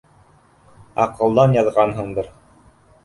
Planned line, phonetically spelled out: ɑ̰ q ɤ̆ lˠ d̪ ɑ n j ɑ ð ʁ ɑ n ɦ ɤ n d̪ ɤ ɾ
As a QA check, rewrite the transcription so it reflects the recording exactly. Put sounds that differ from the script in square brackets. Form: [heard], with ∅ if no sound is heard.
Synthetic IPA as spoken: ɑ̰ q ɤ̆ lˠ d̪ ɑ n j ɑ ð ʁ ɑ n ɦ ɤ [ɴ] d̪ ɤ ɾ